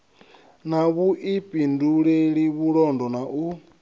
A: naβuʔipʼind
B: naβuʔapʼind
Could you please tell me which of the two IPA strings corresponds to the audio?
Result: A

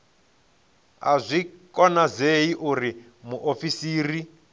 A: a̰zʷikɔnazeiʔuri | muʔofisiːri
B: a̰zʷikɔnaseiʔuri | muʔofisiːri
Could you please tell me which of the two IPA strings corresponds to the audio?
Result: A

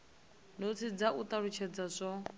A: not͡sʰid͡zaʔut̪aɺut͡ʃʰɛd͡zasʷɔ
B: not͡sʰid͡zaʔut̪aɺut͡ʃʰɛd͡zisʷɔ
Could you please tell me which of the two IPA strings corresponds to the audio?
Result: A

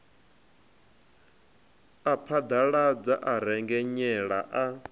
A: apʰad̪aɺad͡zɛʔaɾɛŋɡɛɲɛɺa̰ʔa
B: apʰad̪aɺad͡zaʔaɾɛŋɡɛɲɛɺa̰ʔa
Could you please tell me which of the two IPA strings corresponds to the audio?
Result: B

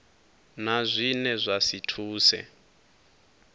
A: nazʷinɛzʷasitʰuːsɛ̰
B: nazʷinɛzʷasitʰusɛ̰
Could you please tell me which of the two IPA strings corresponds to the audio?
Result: A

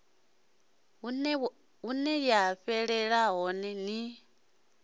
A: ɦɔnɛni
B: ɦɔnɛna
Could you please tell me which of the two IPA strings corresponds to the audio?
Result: A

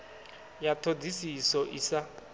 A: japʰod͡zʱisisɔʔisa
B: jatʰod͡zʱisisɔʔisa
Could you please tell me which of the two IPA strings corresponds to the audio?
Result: B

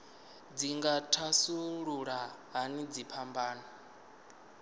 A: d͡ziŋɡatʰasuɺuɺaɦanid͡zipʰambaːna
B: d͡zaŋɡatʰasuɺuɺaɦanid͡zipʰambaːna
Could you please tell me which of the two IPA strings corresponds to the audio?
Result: A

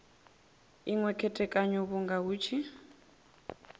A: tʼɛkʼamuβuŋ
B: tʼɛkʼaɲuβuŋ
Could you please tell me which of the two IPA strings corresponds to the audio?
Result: B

